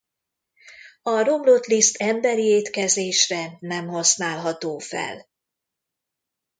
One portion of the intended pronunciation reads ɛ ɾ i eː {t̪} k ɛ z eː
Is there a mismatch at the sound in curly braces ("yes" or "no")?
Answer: no